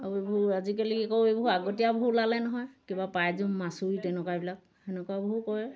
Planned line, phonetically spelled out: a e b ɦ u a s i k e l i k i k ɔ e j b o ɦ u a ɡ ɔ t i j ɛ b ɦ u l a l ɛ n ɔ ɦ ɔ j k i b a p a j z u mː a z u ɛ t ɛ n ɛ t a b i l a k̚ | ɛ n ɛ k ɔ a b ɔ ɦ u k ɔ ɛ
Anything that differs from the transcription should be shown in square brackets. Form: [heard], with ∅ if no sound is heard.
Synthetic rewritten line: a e b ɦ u a [z] i k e l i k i k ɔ e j b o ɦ u a ɡ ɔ t i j [a] b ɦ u l a l ɛ n ɔ ɦ ɔ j k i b a p a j z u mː a [s] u [i] t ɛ n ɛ [k] a b i l a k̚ | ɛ n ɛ k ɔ a b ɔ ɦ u k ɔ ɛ